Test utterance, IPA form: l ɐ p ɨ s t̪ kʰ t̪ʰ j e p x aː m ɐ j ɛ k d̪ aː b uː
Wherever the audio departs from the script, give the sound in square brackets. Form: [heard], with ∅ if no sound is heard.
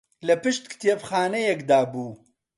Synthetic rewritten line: l ɐ p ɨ [ʃ] t̪ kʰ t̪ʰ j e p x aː [n] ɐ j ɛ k d̪ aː b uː